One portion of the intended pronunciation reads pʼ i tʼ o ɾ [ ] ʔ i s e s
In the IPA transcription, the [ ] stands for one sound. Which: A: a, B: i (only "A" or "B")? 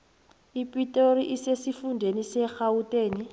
B